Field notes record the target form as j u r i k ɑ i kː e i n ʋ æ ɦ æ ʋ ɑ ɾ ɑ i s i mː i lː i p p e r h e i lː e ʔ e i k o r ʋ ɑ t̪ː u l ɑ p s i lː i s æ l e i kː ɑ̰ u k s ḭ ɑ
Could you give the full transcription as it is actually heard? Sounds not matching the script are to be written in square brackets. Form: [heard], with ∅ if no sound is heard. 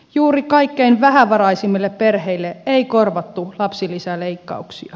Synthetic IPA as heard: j [uː] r i k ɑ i kː e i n ʋ æ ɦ æ ʋ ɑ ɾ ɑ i s i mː i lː [e] p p e r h e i lː e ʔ e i k o r ʋ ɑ t̪ː u l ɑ p s i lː i s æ l e i kː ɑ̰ u k s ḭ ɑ